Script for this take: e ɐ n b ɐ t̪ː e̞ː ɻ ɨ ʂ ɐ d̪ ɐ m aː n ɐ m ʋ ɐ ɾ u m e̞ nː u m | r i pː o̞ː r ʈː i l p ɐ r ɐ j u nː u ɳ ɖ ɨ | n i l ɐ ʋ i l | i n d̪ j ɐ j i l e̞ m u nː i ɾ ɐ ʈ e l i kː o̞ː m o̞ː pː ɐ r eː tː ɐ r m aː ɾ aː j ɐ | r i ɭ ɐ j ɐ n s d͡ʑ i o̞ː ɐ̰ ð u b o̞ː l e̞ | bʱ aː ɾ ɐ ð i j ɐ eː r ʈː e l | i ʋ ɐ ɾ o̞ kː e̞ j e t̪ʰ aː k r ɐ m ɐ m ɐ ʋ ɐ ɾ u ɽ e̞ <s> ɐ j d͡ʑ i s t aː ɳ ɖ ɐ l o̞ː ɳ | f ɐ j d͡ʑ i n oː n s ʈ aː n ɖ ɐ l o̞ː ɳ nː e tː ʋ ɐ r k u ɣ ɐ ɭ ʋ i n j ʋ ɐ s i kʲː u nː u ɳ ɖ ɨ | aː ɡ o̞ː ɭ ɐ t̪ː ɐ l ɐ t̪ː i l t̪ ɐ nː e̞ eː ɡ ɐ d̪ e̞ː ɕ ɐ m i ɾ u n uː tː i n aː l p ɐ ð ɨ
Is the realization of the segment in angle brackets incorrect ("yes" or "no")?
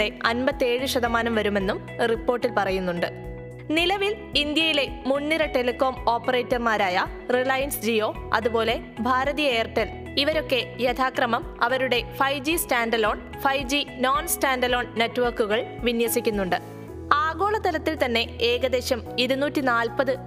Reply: yes